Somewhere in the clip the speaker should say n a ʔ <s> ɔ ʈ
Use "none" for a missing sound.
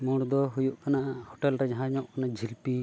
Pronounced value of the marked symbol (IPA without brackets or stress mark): h